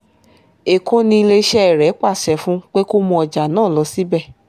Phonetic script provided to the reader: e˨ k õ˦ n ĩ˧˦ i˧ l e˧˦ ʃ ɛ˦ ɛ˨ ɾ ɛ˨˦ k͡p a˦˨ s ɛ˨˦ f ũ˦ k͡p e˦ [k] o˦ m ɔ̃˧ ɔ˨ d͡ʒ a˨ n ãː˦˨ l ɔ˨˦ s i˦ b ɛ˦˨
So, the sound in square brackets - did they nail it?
yes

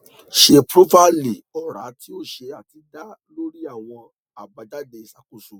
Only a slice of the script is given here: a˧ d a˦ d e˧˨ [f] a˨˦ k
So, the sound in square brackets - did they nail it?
no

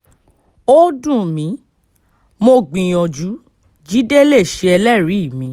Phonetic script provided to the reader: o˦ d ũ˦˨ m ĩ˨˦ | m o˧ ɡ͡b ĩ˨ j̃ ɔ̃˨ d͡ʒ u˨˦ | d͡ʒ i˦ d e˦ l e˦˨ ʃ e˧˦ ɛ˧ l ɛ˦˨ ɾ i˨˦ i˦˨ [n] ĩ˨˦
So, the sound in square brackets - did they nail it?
no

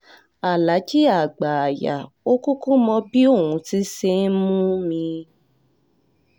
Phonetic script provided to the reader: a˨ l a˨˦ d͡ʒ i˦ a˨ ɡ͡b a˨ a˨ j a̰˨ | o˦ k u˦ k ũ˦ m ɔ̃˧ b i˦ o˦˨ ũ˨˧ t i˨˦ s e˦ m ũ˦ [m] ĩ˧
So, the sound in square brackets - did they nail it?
yes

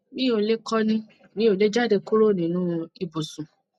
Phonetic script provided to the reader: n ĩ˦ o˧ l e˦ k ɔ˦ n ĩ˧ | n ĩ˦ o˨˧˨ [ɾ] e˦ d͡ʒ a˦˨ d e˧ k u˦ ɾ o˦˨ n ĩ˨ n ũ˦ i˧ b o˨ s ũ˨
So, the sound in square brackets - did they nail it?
no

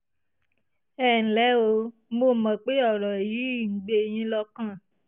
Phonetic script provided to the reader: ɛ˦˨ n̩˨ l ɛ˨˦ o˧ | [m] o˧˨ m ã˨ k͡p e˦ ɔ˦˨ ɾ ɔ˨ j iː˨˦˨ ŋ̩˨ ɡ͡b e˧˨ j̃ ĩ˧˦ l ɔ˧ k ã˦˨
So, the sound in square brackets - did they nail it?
yes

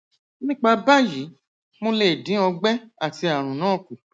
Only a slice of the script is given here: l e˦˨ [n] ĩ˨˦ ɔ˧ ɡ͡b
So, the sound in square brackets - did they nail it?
no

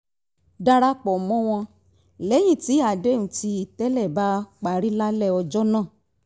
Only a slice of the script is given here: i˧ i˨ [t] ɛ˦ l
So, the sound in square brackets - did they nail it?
yes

